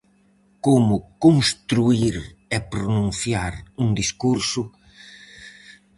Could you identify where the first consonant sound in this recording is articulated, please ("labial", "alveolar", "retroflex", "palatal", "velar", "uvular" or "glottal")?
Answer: velar